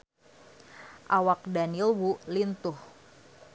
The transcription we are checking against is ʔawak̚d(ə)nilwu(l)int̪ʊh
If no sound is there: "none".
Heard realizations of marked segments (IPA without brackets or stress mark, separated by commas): a, l